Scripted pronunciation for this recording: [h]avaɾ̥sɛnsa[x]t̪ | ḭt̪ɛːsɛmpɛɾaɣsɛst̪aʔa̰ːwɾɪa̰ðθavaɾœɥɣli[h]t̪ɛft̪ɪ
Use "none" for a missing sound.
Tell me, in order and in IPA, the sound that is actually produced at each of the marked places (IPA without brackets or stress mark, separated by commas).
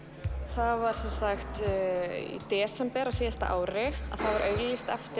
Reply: θ, x, s